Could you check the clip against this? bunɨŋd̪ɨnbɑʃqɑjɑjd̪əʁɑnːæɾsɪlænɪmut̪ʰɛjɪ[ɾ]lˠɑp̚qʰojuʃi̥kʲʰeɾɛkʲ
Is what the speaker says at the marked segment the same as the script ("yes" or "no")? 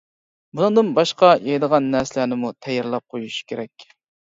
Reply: yes